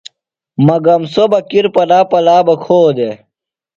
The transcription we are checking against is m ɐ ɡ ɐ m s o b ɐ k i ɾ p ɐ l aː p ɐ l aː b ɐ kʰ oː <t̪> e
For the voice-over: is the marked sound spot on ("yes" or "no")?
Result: no